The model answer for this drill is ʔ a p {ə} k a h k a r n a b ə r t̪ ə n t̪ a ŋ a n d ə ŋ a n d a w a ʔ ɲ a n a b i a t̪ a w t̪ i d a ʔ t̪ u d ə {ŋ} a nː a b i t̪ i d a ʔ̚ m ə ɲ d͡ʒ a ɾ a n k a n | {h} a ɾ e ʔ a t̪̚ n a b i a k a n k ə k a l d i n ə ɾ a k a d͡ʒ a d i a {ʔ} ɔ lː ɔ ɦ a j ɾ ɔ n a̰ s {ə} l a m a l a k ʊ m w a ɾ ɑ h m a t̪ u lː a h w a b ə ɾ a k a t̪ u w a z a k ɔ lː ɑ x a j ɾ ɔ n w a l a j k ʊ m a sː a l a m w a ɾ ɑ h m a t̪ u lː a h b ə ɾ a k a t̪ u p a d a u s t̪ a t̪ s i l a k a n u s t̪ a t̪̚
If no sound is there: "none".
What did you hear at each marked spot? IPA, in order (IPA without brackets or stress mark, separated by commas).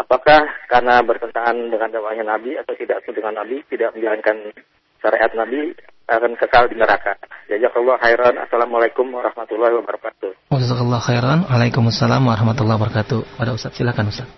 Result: a, ŋ, ʃ, k, a